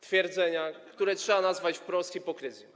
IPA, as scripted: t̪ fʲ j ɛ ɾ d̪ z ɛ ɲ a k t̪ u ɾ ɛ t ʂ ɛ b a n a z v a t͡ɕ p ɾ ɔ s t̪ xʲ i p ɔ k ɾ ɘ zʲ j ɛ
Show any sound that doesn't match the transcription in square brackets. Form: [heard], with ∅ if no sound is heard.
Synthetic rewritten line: t̪ fʲ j ɛ ɾ d̪ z ɛ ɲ a k t̪ u ɾ ɛ t ʂ ɛ b a n a z v a t͡ɕ p ɾ ɔ s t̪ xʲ i p ɔ k ɾ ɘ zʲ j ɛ